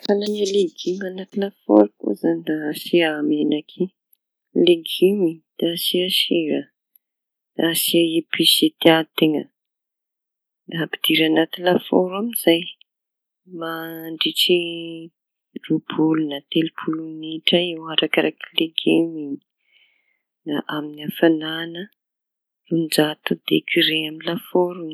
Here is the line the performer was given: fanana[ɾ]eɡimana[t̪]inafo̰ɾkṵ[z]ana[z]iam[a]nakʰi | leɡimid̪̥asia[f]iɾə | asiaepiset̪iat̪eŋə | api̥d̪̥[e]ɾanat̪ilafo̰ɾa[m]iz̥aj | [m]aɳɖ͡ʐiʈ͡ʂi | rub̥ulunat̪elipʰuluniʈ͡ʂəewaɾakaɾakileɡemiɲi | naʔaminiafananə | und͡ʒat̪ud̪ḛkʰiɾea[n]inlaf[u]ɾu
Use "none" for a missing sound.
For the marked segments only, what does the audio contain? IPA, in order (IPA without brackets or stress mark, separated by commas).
l, t̪, z, s, e, ʃ, i, m, m, m, o